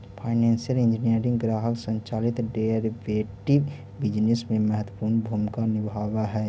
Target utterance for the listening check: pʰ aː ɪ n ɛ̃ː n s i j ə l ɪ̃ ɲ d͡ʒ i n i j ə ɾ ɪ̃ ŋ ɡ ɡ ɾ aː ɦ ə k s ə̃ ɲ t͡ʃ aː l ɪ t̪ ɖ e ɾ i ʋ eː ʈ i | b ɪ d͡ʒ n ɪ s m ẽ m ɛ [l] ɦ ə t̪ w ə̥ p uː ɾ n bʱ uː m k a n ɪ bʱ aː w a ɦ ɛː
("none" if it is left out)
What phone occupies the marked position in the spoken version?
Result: none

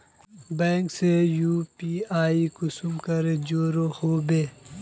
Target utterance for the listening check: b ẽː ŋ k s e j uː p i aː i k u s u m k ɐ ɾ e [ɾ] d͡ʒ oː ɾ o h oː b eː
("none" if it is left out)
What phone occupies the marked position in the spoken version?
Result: none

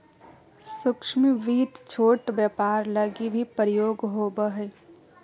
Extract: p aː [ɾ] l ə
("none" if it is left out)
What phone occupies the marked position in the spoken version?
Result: ɾ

